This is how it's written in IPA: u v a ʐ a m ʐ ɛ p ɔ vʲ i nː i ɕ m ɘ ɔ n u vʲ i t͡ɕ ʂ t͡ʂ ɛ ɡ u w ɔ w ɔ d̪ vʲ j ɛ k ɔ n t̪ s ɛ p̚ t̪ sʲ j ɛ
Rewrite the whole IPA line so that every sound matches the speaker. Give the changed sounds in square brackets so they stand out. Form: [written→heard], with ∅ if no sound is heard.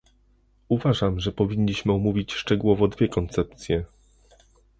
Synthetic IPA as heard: u v a ʐ a m ʐ ɛ p ɔ vʲ i [nː→ɲː] i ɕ m ɘ ɔ [n→m] u vʲ i t͡ɕ ʂ t͡ʂ ɛ ɡ u w ɔ [w→v] ɔ d̪ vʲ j ɛ k ɔ n t̪ s ɛ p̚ t̪ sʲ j ɛ